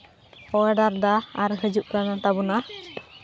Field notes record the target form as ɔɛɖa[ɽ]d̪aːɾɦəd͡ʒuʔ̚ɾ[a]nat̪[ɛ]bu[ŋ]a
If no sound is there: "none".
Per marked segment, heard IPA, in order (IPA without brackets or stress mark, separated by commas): ɾ, a, a, n